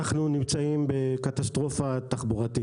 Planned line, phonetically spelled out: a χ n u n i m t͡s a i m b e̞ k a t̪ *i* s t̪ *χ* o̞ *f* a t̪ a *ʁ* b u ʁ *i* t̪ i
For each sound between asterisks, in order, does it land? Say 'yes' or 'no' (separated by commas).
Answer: no, no, yes, no, no